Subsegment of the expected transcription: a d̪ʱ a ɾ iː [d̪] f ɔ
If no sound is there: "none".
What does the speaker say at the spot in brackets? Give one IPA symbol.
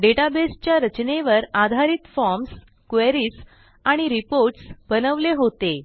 t̪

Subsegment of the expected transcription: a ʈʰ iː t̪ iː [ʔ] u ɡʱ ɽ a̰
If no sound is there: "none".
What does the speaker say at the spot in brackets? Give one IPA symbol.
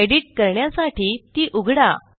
ʔ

